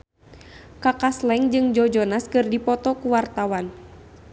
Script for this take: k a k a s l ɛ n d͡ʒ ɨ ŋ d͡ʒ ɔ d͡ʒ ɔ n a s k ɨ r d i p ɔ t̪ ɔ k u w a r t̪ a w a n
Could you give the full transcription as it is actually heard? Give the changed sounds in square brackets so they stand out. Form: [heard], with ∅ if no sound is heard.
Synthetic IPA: k a k a s l ɛ [ŋ] d͡ʒ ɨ ŋ d͡ʒ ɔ d͡ʒ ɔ n a s k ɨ r d i p ɔ t̪ ɔ k u w a r t̪ a w a n